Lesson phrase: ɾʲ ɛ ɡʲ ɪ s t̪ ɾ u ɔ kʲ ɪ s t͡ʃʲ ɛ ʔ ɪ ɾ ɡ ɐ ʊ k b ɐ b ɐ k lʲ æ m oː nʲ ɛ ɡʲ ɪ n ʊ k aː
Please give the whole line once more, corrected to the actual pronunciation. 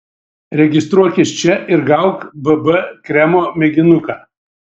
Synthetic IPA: ɾʲ ɛ ɡʲ ɪ s t̪ ɾ u ɔ kʲ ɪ s t͡ʃʲ ɛ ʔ ɪ ɾ ɡ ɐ ʊ k b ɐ b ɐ k ɾʲ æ m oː mʲ ɛ ɡʲ ɪ n ʊ k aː